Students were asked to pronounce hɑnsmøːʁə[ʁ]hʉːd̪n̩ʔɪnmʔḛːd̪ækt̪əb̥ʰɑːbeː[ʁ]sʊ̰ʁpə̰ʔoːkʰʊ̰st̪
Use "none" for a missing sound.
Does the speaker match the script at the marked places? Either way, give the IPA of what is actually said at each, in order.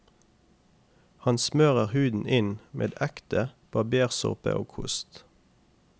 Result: ʁ, ʁ

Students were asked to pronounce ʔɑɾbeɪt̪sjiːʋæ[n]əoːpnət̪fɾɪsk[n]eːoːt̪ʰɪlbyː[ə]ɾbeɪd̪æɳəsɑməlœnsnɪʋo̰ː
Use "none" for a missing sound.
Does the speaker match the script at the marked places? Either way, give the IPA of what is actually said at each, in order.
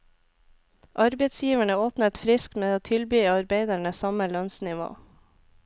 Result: ɳ, m, ɑ

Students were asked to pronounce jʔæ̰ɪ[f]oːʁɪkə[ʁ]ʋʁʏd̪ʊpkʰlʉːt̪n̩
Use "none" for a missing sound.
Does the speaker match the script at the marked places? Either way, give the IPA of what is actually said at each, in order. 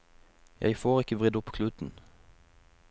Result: f, none

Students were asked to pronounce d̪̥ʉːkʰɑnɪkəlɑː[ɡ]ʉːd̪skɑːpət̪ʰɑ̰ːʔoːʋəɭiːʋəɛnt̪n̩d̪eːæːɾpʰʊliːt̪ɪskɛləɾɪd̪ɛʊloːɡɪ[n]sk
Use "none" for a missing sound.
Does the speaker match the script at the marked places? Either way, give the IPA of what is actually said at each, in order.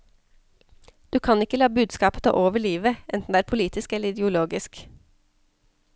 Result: b, none

